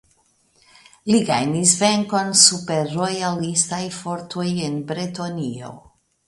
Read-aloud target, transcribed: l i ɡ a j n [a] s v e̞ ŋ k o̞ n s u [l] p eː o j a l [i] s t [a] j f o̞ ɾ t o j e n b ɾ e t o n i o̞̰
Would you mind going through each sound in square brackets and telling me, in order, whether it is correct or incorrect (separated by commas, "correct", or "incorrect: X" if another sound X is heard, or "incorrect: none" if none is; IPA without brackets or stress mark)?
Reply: incorrect: i, incorrect: none, correct, correct